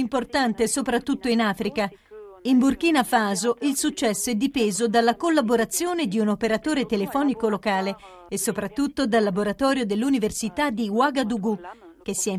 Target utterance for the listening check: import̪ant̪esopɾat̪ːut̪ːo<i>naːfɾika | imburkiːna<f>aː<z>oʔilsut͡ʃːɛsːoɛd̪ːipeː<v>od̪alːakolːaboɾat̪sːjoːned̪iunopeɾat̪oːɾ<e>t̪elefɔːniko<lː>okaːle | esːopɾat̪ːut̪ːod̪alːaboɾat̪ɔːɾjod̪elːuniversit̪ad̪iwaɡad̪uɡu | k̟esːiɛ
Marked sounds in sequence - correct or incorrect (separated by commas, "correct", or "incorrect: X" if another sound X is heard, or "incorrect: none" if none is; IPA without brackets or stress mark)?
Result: correct, correct, correct, incorrect: z, correct, incorrect: l